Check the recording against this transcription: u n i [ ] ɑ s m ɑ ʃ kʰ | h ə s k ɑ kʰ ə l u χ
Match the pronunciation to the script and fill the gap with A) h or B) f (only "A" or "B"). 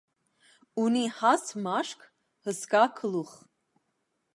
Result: A